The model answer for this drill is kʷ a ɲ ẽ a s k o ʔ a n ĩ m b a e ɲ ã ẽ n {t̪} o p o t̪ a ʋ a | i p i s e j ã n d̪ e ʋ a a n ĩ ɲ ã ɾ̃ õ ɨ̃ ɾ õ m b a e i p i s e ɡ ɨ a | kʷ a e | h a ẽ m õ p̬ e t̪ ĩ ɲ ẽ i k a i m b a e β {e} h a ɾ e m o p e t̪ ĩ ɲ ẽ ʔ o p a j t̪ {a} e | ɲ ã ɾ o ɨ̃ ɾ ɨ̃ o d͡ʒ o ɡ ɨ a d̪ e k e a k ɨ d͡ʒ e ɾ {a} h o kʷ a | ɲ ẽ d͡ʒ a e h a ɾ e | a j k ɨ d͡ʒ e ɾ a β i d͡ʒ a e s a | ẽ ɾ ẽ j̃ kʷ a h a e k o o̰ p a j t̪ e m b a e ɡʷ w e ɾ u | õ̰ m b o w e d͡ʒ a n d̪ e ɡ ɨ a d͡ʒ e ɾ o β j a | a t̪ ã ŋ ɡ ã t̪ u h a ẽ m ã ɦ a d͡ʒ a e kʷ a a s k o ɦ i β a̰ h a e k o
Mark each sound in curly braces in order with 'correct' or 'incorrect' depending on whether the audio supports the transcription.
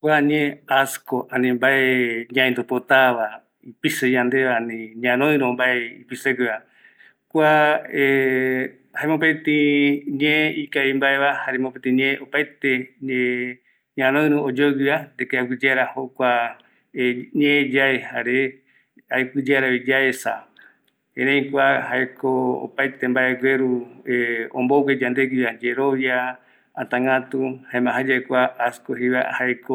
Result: incorrect, incorrect, incorrect, correct

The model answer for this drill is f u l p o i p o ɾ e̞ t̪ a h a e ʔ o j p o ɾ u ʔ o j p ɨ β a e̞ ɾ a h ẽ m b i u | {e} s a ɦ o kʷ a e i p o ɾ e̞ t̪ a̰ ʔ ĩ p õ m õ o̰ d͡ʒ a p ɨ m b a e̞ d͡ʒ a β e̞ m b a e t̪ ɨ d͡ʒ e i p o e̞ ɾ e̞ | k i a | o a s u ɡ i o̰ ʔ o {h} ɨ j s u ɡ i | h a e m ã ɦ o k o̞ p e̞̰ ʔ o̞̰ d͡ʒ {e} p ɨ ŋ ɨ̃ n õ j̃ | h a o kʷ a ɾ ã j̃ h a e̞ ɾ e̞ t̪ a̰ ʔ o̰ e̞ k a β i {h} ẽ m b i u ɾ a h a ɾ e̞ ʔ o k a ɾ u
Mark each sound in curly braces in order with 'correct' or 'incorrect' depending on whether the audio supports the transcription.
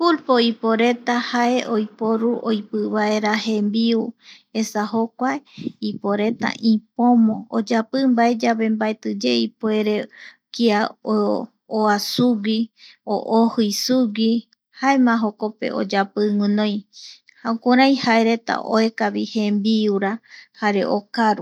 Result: correct, correct, incorrect, correct

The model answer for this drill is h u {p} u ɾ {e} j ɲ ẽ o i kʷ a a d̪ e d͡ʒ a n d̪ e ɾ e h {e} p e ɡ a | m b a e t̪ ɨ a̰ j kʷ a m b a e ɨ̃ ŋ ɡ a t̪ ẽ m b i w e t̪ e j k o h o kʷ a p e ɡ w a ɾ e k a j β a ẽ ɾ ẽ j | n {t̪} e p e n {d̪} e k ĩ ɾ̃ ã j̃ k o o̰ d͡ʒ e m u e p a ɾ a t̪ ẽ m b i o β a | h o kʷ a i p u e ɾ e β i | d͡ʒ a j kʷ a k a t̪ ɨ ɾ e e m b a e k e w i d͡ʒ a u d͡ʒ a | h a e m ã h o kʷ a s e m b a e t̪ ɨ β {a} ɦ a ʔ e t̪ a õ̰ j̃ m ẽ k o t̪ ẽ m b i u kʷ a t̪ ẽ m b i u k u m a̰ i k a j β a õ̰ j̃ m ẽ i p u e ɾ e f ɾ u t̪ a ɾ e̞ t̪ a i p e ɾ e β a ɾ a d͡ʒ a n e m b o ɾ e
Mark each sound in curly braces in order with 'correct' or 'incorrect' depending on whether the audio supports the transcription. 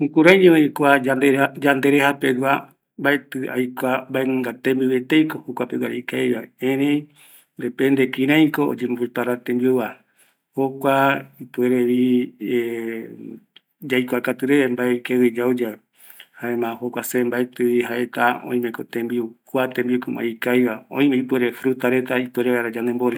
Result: incorrect, incorrect, incorrect, incorrect, correct, incorrect

